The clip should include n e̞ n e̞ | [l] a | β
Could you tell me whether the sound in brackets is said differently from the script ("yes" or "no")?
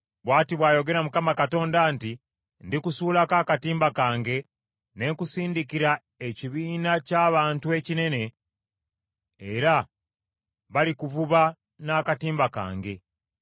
yes